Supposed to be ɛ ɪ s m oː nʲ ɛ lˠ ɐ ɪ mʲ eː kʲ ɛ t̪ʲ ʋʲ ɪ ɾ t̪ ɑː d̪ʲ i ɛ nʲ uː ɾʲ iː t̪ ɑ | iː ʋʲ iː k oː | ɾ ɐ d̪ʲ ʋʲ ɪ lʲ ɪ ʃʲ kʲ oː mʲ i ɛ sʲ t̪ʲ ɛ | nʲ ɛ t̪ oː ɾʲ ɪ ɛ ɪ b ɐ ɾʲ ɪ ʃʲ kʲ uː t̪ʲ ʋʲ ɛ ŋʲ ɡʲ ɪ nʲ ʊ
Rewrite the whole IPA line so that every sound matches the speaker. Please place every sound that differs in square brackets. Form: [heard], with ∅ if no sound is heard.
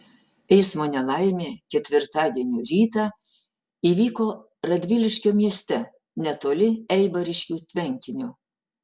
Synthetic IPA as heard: ɛ ɪ s m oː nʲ ɛ lˠ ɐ ɪ mʲ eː kʲ ɛ t̪ʲ ʋʲ ɪ ɾ t̪ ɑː d̪ʲ i ɛ nʲ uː ɾʲ iː t̪ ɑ | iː ʋʲ iː k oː | ɾ ɐ d̪ʲ ʋʲ ɪ lʲ ɪ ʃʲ kʲ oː mʲ i ɛ sʲ t̪ʲ ɛ | nʲ ɛ t̪ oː [lʲ] ɪ ɛ ɪ b ɐ ɾʲ ɪ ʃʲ kʲ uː t̪ʲ ʋʲ ɛ ŋʲ [kʲ] ɪ nʲ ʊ